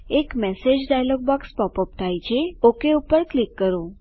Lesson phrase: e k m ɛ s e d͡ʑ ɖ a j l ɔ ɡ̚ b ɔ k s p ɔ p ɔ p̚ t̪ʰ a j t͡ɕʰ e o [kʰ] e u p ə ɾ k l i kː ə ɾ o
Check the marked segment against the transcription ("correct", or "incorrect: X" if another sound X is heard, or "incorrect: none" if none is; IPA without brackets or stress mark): incorrect: k